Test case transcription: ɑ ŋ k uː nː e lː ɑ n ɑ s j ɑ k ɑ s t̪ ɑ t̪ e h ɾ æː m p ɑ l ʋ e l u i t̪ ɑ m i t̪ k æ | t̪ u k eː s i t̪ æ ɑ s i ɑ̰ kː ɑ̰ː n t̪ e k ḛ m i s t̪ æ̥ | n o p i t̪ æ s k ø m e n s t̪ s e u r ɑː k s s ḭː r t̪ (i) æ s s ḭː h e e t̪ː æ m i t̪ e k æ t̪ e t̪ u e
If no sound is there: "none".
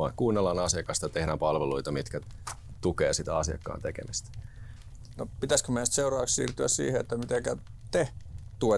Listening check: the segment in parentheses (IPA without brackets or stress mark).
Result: y